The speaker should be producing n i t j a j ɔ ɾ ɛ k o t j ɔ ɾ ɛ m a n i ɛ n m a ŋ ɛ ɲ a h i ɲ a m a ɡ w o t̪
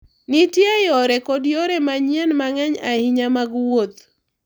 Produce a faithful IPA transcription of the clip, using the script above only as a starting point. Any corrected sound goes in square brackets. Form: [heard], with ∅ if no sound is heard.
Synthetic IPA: n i t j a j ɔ ɾ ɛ k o [d] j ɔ ɾ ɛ m a [ɲ] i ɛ n m a ŋ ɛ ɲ a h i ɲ a m a ɡ w o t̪